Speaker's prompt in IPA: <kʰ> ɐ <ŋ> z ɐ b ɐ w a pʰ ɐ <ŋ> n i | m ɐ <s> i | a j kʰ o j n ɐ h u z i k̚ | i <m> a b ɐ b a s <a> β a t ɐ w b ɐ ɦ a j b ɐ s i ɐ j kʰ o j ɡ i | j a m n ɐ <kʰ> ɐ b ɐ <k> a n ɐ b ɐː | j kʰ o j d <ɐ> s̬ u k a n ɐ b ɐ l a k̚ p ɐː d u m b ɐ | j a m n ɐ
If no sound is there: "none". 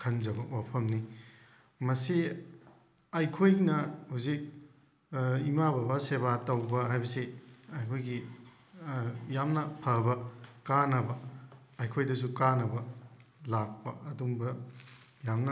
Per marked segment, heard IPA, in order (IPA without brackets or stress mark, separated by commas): kʰ, n, m, s, m, e, pʰ, k, ɐ